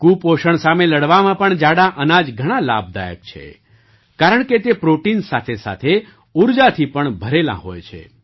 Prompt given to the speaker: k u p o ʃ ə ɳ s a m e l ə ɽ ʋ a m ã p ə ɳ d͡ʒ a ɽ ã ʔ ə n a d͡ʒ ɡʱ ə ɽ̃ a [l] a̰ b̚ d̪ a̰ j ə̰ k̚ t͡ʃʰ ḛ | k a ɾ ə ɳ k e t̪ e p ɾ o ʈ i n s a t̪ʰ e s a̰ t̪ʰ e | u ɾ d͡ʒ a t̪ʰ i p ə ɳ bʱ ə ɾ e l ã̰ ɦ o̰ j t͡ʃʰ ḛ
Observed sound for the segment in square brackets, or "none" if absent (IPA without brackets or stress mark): l